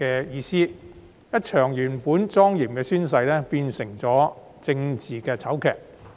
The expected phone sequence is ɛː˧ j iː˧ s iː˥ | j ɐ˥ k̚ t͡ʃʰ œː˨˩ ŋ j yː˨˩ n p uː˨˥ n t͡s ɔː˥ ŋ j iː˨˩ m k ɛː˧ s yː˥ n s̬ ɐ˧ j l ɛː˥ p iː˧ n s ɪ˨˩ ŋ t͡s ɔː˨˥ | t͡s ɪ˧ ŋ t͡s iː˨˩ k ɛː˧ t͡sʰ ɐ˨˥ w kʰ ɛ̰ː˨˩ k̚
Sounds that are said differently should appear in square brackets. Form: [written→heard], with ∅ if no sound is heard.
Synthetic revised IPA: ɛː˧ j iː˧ s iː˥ | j ɐ˥ [k̚→t̚] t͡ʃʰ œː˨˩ ŋ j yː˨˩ n p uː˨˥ n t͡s ɔː˥ ŋ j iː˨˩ m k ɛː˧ s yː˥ n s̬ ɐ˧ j l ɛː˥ p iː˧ n s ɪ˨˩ ŋ t͡s ɔː˨˥ | t͡s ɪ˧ ŋ t͡s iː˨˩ k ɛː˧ t͡sʰ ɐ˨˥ w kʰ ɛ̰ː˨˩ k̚